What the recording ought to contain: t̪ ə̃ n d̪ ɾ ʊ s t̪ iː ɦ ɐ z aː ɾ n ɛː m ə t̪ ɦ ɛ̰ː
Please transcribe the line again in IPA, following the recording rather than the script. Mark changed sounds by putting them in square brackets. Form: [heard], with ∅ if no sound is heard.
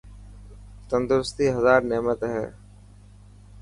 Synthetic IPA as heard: t̪ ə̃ n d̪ ɾ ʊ s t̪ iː ɦ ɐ z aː ɾ n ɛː m ə t̪ ɦ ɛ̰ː